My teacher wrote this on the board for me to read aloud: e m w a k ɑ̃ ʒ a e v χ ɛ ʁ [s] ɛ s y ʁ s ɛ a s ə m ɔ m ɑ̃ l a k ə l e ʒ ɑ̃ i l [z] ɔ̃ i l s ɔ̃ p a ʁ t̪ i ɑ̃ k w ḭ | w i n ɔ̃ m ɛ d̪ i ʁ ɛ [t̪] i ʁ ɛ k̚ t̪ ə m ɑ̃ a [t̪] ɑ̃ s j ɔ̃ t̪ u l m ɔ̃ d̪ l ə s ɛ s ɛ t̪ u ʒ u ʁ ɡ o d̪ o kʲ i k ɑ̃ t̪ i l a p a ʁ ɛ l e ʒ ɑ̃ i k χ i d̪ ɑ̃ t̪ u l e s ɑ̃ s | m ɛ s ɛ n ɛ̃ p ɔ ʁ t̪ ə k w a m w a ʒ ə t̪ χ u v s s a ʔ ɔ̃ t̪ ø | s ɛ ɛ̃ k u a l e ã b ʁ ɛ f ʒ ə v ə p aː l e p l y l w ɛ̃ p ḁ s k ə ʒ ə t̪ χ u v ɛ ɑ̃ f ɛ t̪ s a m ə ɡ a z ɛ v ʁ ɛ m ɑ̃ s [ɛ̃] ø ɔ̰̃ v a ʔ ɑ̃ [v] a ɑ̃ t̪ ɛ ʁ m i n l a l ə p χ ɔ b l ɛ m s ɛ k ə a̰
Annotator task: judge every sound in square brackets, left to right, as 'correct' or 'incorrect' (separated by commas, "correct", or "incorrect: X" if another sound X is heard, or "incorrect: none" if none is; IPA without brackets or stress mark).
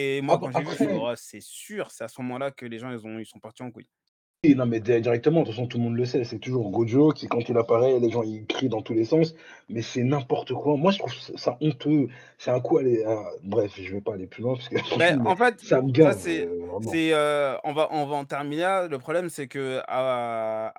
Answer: correct, correct, incorrect: d̪, correct, incorrect: ɛ, correct